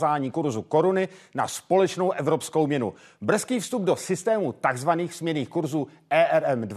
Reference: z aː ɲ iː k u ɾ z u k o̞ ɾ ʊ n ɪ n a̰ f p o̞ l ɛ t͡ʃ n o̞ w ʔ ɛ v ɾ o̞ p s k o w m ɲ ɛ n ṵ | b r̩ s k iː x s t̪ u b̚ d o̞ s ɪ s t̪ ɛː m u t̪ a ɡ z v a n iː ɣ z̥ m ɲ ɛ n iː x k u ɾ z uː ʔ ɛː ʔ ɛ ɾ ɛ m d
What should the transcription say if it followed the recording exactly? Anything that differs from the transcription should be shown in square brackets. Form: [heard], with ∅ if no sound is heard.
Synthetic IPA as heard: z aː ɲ iː k u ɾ z u k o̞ ɾ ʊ n ɪ n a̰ [s] p o̞ l ɛ t͡ʃ n o̞ w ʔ ɛ v ɾ o̞ p s k o w m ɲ ɛ n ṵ | b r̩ s k iː [f] s t̪ u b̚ d o̞ s ɪ s t̪ ɛː m u t̪ a ɡ z v a n iː [x] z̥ m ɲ ɛ n iː x k u ɾ z uː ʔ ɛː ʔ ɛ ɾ ɛ m d